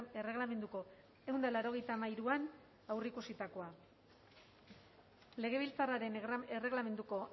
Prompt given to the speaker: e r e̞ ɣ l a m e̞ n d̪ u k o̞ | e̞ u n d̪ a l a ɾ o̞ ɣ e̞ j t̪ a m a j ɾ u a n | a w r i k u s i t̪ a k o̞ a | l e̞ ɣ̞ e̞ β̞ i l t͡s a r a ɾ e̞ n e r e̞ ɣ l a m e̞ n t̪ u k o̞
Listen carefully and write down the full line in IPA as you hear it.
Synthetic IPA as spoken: e r e̞ ɣ l a m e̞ n d̪ u k o̞ | e̞ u n d̪ a l a ɾ o̞ ɣ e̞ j t̪ a m a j ɾ u a n | a w r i k u s i t̪ a k o̞ a | l e̞ ɣ̞ e̞ β̞ i l t͡s a r a ɾ e̞ n e r e̞ ɣ l a m e̞ n d̪ u k o̞